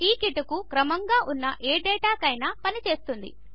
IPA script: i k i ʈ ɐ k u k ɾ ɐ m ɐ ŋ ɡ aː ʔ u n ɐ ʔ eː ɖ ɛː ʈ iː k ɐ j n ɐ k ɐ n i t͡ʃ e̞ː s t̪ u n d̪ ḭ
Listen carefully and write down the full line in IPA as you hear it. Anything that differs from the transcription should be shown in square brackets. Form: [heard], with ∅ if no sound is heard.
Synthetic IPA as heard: [iː] k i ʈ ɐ k u k ɾ ɐ m ɐ ŋ ɡ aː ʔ u [nː] ɐ ʔ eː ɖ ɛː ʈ [aː] k ɐ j n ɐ [p] ɐ n i t͡ʃ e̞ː s t̪ u n d̪ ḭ